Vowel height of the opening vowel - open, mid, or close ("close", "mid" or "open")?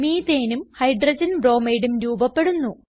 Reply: close